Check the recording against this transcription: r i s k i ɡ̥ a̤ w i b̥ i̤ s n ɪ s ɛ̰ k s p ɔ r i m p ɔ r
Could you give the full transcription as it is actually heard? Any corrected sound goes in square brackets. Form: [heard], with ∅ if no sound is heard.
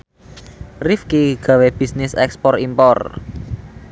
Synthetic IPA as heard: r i [f] k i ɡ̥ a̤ w [e] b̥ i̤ s n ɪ s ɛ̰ k s p ɔ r i m p ɔ r